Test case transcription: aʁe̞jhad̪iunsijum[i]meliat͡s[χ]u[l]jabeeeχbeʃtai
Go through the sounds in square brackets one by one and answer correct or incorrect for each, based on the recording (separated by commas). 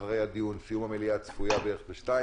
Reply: incorrect, incorrect, incorrect